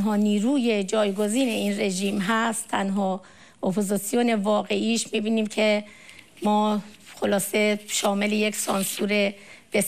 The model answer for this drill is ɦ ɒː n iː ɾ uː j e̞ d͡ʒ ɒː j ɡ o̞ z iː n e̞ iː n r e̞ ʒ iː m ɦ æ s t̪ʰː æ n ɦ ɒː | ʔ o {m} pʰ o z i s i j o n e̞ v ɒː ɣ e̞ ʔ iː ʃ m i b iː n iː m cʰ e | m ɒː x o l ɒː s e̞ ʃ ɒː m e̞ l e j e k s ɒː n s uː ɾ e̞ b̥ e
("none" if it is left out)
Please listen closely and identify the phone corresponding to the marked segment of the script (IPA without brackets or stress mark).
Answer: none